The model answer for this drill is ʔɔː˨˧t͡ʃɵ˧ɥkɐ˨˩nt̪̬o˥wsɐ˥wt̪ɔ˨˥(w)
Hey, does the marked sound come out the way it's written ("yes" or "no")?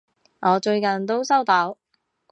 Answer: yes